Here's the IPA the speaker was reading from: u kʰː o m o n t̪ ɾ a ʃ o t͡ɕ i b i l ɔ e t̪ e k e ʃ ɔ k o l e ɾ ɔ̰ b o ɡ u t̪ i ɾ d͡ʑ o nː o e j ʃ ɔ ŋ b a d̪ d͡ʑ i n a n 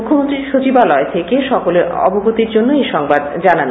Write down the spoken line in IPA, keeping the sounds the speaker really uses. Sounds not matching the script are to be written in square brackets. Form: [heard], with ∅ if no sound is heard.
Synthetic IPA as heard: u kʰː o m o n t̪ ɾ [i] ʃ o t͡ɕ i b [a] l ɔ e [t̪ʰ] e k e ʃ ɔ k o l e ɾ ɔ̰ b o ɡ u t̪ i ɾ d͡ʑ o nː o e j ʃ ɔ ŋ b a d̪ d͡ʑ [a] n a n